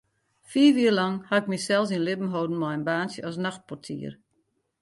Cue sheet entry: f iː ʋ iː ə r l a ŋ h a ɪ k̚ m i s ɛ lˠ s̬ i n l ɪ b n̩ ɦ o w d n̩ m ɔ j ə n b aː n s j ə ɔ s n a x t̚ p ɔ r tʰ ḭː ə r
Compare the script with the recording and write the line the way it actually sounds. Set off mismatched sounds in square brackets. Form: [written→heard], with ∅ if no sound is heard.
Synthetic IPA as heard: f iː ʋ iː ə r l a ŋ h a ɪ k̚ m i s ɛ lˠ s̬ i n l ɪ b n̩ ɦ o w d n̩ m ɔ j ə n b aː n s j ə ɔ s n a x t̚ p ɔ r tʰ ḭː ə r